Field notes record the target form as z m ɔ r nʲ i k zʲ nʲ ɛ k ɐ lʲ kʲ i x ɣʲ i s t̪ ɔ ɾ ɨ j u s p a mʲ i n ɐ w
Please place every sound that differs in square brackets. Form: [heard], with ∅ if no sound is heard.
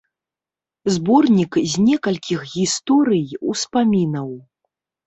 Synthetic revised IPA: z [b] ɔ r nʲ i k zʲ nʲ ɛ k ɐ lʲ kʲ i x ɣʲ i s t̪ ɔ ɾ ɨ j u s p a mʲ i n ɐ w